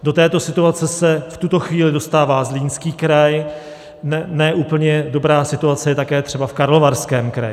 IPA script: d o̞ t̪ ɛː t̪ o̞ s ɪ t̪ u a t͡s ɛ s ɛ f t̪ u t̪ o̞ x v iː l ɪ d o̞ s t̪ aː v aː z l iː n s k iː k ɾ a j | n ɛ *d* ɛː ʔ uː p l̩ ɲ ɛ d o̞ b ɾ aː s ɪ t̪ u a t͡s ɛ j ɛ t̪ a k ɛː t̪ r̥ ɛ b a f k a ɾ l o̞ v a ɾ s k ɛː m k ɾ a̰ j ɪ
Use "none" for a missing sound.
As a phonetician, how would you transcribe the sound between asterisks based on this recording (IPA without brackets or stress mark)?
n